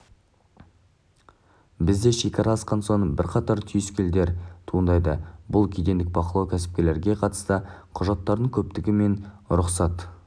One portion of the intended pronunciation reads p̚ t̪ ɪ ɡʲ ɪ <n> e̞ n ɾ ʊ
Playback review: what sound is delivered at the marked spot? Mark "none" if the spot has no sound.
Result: m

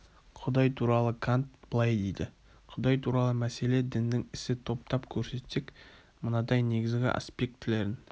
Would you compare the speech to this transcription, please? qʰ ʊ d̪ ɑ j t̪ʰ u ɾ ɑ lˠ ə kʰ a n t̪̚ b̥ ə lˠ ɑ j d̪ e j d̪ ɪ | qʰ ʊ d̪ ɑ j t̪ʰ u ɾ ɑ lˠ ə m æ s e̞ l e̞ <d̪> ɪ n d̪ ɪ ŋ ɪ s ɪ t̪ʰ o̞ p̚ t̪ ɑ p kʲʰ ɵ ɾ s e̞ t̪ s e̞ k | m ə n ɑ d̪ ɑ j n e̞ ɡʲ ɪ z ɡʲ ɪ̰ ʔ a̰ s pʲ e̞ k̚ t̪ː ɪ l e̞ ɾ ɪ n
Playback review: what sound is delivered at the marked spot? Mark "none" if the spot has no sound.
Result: d̪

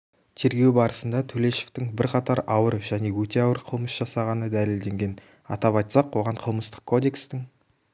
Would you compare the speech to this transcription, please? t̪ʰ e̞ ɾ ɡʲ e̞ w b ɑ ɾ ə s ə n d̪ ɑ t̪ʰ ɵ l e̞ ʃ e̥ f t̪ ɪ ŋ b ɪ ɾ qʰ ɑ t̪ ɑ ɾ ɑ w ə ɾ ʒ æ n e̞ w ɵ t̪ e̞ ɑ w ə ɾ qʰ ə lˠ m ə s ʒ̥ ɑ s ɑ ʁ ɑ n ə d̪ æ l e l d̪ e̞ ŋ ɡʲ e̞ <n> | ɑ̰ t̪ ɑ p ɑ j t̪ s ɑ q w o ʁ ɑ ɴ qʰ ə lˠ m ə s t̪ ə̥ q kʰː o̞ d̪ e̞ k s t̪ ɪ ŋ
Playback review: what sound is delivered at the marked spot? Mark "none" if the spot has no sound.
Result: n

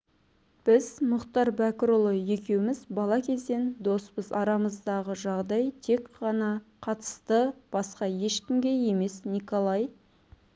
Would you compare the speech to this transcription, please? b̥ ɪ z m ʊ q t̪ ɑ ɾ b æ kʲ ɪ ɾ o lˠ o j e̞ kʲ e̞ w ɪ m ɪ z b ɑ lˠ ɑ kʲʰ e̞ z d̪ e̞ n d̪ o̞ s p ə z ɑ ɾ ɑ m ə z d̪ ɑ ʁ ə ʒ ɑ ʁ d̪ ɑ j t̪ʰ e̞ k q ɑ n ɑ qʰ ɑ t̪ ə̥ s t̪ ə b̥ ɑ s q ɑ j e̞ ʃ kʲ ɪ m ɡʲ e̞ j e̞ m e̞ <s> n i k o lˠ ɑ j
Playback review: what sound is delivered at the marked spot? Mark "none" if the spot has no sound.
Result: s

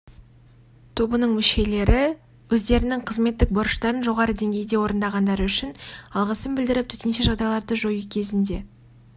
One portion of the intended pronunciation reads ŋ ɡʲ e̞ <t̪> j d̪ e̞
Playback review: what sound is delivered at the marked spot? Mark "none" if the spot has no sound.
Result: none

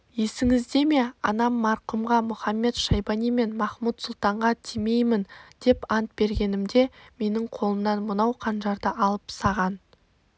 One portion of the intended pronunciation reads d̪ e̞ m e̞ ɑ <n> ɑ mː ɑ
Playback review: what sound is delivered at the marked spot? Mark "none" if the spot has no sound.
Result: n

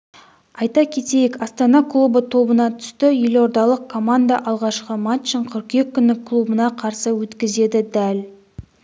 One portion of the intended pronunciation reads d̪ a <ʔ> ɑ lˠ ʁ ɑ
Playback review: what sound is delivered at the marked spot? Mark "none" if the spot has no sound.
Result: ʔ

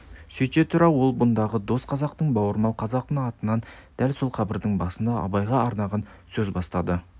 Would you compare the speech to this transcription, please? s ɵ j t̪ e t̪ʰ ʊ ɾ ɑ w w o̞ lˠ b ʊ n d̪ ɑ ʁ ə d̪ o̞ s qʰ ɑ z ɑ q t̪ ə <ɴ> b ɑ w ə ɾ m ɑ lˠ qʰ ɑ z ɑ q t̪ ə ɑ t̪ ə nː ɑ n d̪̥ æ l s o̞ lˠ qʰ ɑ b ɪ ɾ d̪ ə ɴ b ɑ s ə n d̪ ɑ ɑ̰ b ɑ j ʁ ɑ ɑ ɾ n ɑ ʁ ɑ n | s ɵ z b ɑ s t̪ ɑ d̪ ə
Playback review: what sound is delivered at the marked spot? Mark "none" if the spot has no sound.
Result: ɴ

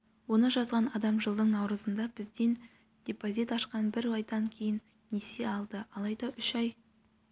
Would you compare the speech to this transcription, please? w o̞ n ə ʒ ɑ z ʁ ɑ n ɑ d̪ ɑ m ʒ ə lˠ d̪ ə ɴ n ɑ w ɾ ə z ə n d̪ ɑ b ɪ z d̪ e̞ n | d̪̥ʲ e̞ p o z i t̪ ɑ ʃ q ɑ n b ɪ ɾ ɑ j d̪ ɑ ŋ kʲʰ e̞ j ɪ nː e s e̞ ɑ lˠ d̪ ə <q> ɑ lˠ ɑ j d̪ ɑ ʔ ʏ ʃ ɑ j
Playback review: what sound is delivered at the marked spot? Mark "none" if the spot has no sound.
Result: none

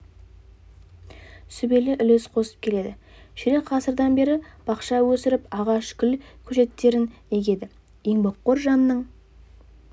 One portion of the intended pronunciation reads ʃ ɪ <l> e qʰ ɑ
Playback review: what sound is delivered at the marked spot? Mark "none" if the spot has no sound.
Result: ɾ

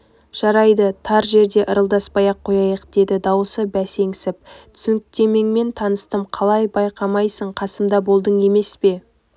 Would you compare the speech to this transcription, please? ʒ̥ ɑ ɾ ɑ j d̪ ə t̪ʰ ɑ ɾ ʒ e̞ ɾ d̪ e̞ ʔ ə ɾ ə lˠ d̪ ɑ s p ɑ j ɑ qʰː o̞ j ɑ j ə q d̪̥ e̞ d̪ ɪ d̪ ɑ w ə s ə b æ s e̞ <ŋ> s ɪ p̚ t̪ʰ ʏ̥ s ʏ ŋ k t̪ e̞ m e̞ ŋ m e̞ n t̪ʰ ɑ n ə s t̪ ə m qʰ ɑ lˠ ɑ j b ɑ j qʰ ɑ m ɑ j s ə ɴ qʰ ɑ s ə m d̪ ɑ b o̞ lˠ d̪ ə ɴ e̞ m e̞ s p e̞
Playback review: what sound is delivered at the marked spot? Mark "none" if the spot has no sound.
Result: ŋ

